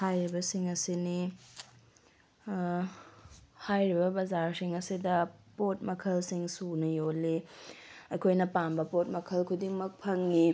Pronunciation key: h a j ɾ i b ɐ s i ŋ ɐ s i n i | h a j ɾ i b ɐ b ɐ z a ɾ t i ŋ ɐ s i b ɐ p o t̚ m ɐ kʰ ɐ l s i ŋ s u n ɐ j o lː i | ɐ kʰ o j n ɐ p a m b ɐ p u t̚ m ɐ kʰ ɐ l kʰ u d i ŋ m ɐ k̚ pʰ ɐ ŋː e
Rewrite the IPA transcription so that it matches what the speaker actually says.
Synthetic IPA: h a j ɾ i b ɐ s i ŋ ɐ s i n i | h a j ɾ i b ɐ b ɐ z a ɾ s i ŋ ɐ s i d ɐ p o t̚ m ɐ kʰ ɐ l s i ŋ s u n ɐ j o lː i | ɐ kʰ o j n ɐ p a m b ɐ p o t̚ m ɐ kʰ ɐ l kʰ u d i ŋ m ɐ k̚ pʰ ɐ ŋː i